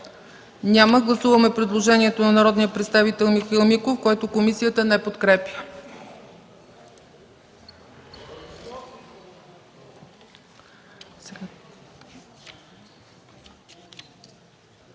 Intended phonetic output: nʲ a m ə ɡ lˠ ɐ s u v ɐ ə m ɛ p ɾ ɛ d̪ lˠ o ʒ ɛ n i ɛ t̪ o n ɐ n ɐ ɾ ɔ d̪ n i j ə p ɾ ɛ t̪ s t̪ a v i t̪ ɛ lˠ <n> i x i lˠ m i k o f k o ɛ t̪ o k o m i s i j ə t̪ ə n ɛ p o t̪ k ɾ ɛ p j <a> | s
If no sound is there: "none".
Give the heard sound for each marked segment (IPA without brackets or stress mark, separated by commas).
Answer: m, ə